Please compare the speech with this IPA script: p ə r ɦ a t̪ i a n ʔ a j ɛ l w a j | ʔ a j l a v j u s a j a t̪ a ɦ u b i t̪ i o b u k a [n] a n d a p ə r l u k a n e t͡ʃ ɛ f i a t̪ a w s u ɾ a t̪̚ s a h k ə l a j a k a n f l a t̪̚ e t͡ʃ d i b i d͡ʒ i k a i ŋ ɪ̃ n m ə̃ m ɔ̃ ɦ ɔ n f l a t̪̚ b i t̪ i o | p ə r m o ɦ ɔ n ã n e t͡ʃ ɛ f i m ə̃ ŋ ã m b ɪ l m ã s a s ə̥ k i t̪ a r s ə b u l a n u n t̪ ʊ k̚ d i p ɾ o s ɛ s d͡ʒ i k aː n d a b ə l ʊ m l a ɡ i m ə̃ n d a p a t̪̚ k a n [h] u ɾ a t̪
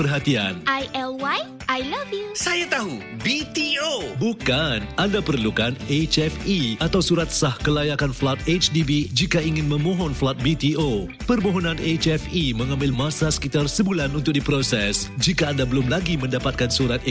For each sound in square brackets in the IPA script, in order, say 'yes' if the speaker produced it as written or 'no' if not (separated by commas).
yes, no